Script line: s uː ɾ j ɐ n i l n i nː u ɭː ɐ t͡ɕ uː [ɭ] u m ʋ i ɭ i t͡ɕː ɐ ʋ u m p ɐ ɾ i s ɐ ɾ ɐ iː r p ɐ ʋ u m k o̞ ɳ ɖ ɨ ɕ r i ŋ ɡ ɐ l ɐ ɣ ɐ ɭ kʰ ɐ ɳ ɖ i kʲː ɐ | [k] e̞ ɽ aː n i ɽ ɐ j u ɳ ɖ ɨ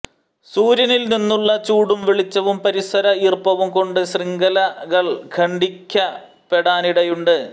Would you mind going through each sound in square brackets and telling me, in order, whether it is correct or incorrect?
incorrect, incorrect

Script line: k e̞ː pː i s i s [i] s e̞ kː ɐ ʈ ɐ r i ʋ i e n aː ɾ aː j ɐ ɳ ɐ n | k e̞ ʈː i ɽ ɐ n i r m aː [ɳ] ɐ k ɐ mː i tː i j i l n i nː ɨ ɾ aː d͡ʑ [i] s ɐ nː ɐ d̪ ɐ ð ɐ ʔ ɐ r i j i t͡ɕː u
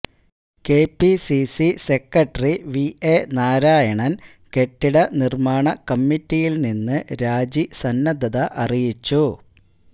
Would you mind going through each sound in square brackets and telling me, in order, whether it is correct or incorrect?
correct, correct, correct

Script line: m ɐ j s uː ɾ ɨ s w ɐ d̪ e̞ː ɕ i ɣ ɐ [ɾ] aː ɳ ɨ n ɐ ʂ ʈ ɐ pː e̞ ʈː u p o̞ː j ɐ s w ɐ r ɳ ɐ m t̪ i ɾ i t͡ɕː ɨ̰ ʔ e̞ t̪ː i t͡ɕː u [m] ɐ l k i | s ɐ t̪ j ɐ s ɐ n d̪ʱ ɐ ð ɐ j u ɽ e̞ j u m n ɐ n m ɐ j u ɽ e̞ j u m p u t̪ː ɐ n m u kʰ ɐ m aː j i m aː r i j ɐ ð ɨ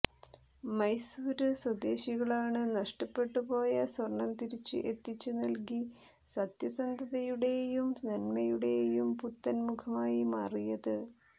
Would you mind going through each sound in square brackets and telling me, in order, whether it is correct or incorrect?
incorrect, incorrect

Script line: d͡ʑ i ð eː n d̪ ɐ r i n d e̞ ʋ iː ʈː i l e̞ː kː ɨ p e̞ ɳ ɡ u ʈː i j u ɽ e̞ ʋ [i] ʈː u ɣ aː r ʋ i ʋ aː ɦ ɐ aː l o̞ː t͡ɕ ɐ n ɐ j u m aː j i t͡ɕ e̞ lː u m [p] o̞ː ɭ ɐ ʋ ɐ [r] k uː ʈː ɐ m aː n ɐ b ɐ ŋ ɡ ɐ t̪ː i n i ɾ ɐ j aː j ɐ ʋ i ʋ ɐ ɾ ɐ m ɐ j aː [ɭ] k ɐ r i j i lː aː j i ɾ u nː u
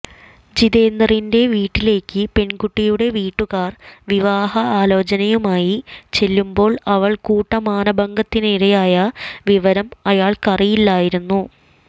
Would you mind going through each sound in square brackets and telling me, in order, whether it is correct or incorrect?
incorrect, incorrect, incorrect, correct

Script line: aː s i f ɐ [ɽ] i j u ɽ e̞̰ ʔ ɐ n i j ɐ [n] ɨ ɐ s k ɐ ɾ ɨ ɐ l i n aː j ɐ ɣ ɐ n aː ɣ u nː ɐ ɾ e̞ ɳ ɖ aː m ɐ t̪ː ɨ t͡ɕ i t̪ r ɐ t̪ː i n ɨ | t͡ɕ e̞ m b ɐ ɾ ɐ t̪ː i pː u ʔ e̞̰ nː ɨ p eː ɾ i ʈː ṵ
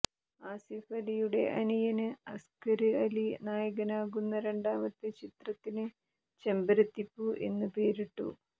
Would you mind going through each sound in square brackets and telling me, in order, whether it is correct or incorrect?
incorrect, correct

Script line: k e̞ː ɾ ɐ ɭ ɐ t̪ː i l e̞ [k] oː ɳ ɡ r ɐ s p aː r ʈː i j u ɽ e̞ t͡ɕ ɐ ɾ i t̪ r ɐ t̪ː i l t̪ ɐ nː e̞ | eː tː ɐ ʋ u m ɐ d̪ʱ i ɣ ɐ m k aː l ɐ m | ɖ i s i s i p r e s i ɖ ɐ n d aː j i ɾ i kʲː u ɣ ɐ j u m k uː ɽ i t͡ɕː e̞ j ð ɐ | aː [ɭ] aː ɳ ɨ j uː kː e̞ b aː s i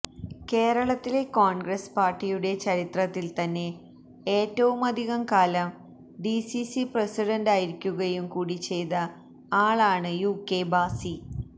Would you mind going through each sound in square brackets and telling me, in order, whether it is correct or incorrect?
correct, correct

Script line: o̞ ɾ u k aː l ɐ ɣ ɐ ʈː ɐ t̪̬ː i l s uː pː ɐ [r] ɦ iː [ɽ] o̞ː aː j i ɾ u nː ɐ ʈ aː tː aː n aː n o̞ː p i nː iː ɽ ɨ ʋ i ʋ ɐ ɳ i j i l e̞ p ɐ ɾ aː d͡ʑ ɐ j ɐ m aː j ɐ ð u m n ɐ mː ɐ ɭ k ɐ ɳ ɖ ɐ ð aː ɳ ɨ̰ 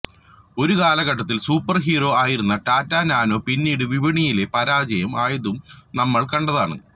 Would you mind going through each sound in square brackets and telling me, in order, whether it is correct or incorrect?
correct, incorrect

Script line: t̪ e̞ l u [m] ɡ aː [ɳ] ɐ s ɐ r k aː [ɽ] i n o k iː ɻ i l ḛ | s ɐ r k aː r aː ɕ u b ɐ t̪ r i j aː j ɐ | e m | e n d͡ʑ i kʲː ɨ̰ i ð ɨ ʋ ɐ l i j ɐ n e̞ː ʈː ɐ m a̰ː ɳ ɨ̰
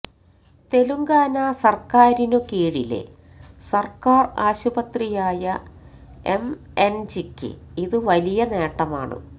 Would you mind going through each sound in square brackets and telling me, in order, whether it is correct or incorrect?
incorrect, incorrect, incorrect

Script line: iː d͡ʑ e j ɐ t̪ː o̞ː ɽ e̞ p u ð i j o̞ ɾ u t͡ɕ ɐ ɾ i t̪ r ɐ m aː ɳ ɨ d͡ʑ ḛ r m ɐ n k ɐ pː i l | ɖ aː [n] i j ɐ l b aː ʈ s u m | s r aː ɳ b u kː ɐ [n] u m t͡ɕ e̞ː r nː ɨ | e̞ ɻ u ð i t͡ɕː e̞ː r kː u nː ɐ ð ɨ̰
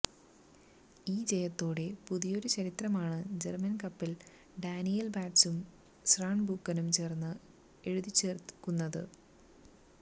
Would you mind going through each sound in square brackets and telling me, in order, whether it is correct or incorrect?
correct, correct

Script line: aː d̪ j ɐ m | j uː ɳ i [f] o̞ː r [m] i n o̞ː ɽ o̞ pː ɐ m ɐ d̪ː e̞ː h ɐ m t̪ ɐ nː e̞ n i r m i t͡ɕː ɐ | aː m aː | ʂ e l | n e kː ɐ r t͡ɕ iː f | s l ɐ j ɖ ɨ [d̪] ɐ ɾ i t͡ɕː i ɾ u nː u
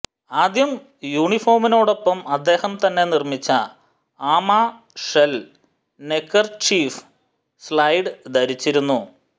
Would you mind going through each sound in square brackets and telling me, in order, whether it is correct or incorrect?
correct, correct, correct

